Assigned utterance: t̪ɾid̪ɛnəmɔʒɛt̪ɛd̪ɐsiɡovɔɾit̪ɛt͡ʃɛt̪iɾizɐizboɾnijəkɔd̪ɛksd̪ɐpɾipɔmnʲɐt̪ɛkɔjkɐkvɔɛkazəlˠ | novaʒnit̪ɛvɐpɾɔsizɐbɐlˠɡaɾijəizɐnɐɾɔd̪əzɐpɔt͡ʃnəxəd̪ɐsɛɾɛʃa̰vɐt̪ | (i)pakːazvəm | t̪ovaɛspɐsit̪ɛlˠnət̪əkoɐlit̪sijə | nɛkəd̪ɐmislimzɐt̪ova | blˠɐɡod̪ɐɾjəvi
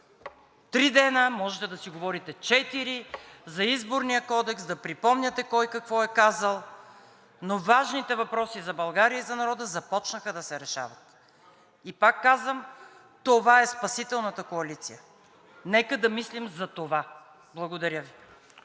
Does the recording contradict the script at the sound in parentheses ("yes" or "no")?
no